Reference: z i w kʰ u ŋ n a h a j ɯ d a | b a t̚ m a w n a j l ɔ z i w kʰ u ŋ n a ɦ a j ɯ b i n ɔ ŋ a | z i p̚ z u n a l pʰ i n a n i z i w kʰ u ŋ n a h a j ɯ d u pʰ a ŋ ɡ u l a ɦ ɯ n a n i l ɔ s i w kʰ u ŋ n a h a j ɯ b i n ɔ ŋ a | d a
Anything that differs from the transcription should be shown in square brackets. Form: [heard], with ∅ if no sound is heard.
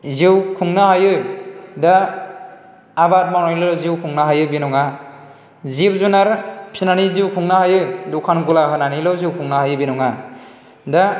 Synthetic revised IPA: z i w kʰ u ŋ n a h a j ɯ d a | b a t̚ m a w n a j l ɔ z i w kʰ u ŋ n a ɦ a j ɯ b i n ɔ ŋ a | z i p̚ z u n a [ɾ] pʰ i n a n i z i w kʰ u ŋ n a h a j ɯ d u [kʰ] a [n] ɡ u l a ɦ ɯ n a n i l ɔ [z] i w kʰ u ŋ n a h a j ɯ b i n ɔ ŋ a | d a